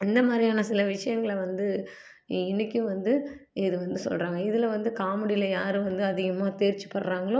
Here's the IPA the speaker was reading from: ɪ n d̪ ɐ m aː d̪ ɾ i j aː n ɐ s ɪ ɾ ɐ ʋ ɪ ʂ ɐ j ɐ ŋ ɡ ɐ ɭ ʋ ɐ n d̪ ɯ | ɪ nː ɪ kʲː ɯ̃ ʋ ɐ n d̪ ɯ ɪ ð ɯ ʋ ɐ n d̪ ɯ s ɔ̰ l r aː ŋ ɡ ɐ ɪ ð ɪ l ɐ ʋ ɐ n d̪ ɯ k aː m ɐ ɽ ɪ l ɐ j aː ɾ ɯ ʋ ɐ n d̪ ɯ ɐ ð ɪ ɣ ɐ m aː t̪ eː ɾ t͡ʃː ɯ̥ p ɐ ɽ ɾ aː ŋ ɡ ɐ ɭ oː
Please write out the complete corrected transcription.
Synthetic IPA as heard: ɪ n d̪ ɐ m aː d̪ ɾ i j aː n ɐ s ɪ l ɐ ʋ ɪ ʂ ɐ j ɐ ŋ ɡ ɐ ɭ ʋ ɐ n d̪ ɯ | ɪ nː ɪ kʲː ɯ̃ ʋ ɐ n d̪ ɯ ɪ ð ɯ ʋ ɐ n d̪ ɯ s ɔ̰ l r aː ŋ ɡ ɐ ɪ ð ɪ l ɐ ʋ ɐ n d̪ ɯ k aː m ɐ ɽ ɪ l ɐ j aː ɾ ɯ ʋ ɐ n d̪ ɯ ɐ ð ɪ ɣ ɐ m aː t̪ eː ɾ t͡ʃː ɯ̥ p ɐ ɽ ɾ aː ŋ ɡ ɐ ɭ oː